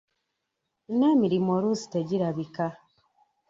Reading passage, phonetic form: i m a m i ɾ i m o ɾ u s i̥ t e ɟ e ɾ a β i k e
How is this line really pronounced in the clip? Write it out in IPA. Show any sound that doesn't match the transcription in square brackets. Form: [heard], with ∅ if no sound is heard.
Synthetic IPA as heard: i [n] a m i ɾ i m o ɾ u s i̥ t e ɟ [i] ɾ a β i k [a]